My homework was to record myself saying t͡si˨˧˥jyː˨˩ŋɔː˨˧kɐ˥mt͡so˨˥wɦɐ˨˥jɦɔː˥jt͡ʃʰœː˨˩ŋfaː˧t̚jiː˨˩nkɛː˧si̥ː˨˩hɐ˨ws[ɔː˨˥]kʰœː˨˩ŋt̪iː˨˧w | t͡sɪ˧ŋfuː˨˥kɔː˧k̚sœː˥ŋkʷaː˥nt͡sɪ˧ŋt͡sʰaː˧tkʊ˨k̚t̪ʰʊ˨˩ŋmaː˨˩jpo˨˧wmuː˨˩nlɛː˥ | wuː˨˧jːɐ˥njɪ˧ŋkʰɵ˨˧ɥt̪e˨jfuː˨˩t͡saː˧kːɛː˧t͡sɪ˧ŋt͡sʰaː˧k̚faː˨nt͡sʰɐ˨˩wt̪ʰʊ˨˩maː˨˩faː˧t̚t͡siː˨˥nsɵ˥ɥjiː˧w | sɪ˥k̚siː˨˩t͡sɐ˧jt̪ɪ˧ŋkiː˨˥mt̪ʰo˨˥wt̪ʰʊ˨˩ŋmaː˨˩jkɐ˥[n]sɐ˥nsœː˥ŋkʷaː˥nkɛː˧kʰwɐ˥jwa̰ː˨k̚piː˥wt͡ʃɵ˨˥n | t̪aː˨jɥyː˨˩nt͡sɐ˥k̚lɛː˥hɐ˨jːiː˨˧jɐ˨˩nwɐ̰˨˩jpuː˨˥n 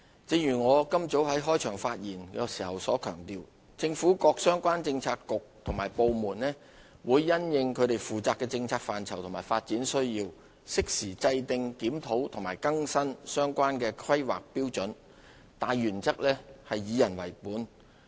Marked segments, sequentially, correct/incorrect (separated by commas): correct, incorrect